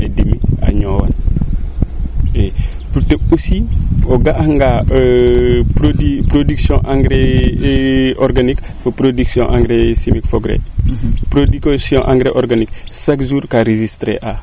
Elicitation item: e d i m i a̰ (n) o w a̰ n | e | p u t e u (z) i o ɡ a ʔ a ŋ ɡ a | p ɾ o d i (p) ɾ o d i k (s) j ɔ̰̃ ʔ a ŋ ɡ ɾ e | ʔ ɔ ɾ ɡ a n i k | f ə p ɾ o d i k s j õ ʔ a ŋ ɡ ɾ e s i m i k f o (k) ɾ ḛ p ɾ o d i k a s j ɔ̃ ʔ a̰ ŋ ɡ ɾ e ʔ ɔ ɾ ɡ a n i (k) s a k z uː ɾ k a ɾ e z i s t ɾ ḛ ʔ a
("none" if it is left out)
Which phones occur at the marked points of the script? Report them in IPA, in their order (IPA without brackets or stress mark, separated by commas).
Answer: ɲ, s, p, s, ɡ, k